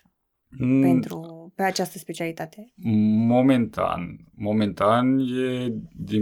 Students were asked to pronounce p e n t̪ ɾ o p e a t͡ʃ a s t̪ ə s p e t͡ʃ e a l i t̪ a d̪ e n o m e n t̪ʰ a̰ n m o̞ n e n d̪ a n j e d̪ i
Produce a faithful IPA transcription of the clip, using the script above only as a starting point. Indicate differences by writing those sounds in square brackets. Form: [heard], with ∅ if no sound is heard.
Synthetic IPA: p e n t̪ ɾ [u] p e a t͡ʃ a s t̪ ə s p e t͡ʃ [i] a l i t̪ a [t̪] e [m] o m e n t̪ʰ a̰ n m o̞ [m] e n [t̪] a n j e d̪ i